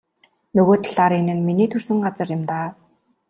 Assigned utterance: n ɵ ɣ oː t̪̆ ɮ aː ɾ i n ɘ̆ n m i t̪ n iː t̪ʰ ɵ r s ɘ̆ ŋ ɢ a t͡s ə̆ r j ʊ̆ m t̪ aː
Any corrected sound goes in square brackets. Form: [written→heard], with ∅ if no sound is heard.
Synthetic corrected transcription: n ɵ ɣ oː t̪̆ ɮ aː ɾ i n ɘ̆ n m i [t̪→∅] n iː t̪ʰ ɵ r s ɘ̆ ŋ ɢ a t͡s ə̆ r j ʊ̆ m t̪ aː

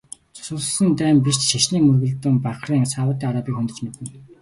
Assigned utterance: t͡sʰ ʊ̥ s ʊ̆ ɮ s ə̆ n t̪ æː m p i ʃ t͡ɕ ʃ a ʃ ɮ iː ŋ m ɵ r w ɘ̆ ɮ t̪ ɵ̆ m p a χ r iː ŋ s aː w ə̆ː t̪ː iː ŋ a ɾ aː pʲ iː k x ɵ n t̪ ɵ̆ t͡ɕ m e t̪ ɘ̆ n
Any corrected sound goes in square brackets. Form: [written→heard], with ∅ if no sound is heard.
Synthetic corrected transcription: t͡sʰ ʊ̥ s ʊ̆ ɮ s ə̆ n t̪ æː m p i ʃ t͡ɕ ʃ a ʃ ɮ iː ŋ m ɵ r [w→ɣ] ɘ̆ ɮ t̪ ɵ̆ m p a χ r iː ŋ s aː w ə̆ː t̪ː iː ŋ a ɾ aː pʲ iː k x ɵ n t̪ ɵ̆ t͡ɕ m e t̪ ɘ̆ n

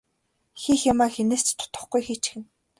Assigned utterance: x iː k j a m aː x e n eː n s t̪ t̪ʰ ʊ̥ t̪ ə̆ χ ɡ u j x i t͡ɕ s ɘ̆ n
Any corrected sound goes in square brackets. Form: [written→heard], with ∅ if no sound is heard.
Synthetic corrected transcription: x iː [k→x] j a m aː x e n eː [n→∅] s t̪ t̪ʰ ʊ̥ t̪ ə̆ χ ɡ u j x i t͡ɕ [s→x] ɘ̆ n

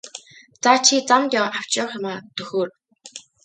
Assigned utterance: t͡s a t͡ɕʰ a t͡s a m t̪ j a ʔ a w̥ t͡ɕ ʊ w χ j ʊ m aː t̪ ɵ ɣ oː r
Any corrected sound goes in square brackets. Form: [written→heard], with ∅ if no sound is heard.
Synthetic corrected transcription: t͡s a t͡ɕʰ [a→i] t͡s a m t̪ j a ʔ a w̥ t͡ɕ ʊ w χ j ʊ m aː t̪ ɵ [ɣ→x] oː r

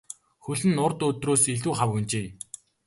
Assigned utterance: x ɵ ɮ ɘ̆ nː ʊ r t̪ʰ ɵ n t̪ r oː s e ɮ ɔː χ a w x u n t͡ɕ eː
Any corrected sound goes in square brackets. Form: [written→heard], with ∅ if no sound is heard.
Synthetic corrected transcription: x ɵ ɮ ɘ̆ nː ʊ r [t̪ʰ→t̪] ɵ [n→∅] t̪ r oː s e ɮ [ɔː→uː] χ a w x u n t͡ɕ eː

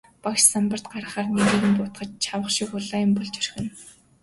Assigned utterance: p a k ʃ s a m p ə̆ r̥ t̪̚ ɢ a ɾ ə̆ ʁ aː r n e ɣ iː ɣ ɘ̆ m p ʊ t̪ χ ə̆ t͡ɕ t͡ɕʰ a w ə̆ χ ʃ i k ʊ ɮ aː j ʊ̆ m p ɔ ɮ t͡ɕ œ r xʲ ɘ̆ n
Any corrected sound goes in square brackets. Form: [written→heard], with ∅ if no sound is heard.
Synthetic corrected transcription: p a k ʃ s a m p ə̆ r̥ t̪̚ ɢ a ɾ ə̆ [ʁ→χ] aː r n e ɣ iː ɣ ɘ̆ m p ʊ t̪ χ ə̆ t͡ɕ t͡ɕʰ a w ə̆ χ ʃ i k ʊ ɮ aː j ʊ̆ m p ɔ ɮ t͡ɕ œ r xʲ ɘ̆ n

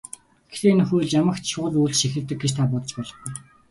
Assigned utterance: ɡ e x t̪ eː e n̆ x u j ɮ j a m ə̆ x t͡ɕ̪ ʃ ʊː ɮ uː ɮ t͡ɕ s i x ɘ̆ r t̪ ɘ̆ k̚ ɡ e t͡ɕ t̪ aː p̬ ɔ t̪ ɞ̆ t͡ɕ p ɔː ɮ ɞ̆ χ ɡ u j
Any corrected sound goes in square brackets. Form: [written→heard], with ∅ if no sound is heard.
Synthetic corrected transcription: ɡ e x t̪ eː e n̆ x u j ɮ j a m ə̆ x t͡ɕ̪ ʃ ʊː ɮ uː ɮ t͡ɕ [s→ʃ] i x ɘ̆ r t̪ ɘ̆ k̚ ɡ e t͡ɕ [t̪→t̪ʰ] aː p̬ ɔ t̪ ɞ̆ t͡ɕ p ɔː ɮ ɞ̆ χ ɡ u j

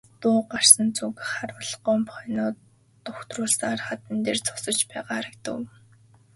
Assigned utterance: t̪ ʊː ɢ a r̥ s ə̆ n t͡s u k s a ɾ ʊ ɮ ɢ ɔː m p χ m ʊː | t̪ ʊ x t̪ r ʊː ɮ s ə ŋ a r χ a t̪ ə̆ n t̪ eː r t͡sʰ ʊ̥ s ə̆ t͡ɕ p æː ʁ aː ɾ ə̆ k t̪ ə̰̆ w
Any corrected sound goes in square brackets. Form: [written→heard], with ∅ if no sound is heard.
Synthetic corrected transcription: t̪ ʊː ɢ a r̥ s ə̆ n t͡s u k [s→χ] a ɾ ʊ ɮ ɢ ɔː m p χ [m→n] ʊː | t̪ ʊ x t̪ r ʊː ɮ s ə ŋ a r χ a t̪ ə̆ n t̪ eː r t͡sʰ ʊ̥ s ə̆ t͡ɕ p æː ʁ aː ɾ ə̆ k t̪ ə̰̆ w

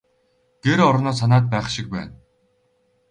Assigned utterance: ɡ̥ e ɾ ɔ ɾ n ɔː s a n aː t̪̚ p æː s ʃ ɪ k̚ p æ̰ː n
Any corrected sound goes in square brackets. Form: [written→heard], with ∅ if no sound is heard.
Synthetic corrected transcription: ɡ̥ e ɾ ɔ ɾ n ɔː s a n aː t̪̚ p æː [s→χ] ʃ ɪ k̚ p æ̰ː n

